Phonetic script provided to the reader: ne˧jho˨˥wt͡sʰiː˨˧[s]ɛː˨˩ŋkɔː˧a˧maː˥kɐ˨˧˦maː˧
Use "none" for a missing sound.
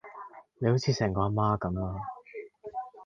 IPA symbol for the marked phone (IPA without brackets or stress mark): s